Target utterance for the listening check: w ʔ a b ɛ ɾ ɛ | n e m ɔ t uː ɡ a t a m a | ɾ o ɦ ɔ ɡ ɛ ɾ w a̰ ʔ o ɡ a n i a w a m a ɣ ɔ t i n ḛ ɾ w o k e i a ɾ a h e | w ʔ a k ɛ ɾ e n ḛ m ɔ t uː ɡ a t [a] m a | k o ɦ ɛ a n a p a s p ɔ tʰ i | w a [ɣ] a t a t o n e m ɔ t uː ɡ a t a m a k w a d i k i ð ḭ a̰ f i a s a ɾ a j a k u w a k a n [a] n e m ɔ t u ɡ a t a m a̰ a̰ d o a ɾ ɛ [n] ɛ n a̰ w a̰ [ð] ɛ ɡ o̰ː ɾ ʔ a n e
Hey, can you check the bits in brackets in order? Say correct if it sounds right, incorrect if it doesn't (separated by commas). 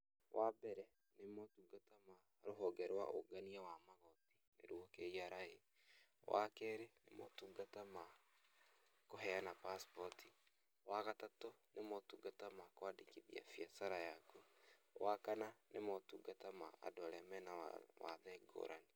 correct, correct, correct, incorrect, correct